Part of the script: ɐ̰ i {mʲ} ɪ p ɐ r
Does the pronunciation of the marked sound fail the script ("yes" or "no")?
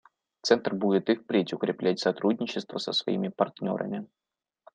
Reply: no